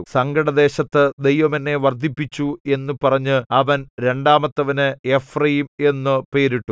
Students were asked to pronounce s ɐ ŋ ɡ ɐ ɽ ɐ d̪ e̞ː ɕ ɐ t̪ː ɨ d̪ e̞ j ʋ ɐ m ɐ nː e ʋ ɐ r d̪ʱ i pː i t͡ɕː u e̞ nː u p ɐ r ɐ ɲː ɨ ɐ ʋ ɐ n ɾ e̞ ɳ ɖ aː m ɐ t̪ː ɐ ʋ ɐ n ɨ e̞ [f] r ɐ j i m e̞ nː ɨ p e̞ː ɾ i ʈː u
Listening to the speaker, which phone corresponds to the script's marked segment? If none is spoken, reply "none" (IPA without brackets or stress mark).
f